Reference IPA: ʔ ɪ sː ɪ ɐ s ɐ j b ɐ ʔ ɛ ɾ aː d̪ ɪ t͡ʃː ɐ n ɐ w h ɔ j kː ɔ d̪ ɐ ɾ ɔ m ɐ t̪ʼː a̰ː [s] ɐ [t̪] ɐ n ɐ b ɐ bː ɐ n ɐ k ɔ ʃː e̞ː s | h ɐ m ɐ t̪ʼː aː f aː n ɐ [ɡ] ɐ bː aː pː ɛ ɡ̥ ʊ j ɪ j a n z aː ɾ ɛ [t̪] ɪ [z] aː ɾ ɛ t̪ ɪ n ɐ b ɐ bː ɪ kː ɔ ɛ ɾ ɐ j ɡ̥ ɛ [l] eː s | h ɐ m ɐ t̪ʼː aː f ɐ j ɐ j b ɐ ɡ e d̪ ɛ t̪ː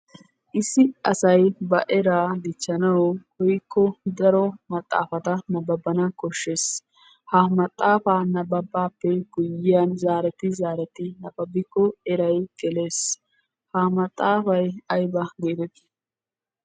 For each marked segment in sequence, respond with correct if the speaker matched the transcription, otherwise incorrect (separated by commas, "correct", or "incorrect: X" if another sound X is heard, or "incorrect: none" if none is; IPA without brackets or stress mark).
incorrect: f, correct, incorrect: b, correct, correct, correct